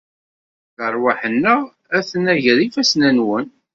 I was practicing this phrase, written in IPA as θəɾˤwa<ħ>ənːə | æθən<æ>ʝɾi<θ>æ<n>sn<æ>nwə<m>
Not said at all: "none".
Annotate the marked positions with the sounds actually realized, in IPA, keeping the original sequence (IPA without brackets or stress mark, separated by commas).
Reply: ħ, æ, f, none, æ, n